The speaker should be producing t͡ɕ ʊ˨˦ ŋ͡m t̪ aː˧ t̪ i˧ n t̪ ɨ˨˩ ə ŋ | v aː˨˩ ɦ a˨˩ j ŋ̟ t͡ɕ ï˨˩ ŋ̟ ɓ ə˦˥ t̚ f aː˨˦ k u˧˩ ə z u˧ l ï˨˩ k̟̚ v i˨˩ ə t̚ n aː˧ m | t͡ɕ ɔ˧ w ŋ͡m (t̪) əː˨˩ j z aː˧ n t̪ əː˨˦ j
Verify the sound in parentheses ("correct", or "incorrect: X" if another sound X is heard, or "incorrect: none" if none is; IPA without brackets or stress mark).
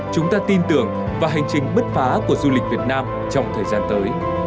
incorrect: t̪ʰ